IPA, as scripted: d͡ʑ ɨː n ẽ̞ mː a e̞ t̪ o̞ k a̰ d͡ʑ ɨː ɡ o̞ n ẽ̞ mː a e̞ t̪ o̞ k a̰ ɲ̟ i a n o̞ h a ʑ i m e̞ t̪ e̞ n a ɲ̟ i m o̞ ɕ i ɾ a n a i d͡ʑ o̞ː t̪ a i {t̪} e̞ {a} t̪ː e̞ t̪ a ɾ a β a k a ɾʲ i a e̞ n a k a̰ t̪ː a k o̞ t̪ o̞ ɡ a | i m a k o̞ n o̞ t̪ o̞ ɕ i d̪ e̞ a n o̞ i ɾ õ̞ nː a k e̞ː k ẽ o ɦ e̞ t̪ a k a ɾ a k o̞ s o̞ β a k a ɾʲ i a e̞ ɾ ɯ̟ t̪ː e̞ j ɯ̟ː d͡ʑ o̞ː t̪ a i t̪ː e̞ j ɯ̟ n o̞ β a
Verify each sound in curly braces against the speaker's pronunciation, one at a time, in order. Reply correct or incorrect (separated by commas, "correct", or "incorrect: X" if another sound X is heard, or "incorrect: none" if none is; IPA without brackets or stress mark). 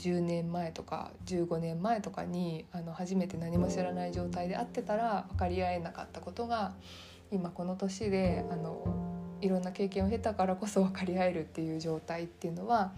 incorrect: d̪, correct